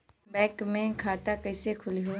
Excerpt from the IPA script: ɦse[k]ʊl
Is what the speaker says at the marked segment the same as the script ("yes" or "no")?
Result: no